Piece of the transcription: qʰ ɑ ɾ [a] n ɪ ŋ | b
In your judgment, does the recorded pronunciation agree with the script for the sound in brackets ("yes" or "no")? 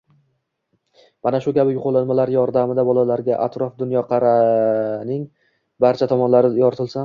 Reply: yes